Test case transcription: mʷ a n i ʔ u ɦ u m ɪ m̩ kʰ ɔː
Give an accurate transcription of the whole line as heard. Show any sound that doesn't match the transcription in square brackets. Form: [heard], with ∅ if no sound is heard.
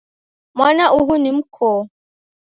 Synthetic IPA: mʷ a n [a] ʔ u ɦ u [n] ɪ m̩ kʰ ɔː